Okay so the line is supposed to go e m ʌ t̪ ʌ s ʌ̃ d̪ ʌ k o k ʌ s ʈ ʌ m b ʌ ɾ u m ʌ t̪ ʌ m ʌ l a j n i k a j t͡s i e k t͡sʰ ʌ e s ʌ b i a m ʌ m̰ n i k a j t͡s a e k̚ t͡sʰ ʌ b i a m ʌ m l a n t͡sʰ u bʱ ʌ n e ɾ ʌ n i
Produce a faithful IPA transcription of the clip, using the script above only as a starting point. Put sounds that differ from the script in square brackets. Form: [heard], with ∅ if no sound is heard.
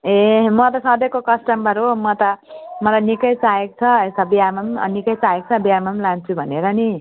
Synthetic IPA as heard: e m ʌ t̪ ʌ s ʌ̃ d̪ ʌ k o k ʌ s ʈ ʌ m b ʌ ɾ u m ʌ t̪ ʌ m ʌ l a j n i k [ʌ] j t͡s [a] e k t͡sʰ ʌ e s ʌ b i a m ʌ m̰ n i k [ʌ] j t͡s a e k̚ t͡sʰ ʌ b i a m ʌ m l a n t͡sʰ u bʱ ʌ n e ɾ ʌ n i